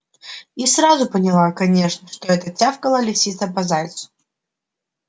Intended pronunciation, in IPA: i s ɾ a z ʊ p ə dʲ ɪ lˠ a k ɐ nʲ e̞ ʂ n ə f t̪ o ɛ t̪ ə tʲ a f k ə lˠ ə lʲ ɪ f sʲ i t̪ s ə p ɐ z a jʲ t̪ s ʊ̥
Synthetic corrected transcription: i s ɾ a z ʊ p ə nʲ ɪ lˠ a k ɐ nʲ e̞ ʂ n ə ʂ t̪ o ɛ t̪ ə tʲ a f k ə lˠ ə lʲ ɪ f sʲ i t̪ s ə p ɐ z a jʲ t̪ s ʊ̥